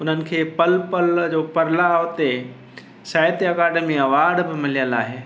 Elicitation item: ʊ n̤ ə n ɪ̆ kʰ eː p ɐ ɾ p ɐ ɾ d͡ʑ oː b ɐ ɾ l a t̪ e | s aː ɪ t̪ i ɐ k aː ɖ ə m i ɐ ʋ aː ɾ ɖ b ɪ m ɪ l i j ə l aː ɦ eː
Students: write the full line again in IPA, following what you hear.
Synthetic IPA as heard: ʊ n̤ ə n ɪ̆ kʰ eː p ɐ l p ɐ l d͡ʑ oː p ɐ ɾ l a t̪ e | s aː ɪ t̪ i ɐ k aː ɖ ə m i ɐ ʋ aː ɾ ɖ b ɪ m ɪ l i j ə l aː ɦ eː